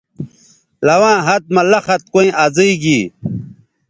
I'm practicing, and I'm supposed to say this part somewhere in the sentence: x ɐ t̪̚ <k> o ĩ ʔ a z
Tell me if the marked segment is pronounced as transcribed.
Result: yes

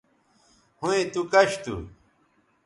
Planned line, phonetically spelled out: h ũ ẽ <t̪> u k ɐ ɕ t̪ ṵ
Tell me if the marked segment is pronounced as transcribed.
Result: yes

